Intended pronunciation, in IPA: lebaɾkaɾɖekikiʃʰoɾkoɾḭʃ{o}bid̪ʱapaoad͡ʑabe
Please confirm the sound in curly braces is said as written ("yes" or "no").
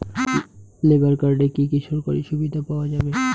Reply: no